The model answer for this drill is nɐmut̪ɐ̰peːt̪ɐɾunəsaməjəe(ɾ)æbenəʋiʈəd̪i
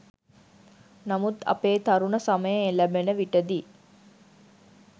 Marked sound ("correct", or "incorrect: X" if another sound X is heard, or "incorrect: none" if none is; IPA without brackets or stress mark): incorrect: l